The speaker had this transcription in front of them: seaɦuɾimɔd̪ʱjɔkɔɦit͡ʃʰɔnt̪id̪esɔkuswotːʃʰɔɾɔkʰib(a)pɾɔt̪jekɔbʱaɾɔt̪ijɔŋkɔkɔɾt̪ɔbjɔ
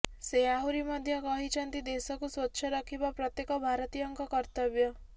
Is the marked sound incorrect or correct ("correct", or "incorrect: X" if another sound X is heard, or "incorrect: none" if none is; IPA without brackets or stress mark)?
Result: correct